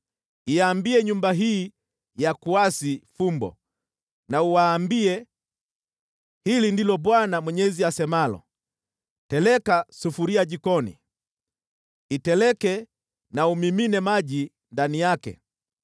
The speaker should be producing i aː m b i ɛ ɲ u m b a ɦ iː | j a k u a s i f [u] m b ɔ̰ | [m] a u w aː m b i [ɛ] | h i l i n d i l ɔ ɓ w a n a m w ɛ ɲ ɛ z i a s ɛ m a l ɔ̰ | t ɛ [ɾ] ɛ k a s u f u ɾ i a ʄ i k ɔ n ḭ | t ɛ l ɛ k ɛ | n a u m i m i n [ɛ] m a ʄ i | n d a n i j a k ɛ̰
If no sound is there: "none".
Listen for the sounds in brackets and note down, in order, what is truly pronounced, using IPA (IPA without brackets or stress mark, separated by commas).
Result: u, n, ɛ, l, ɛ